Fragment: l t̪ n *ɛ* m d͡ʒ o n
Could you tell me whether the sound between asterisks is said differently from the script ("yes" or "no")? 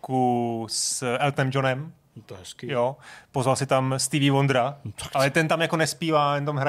no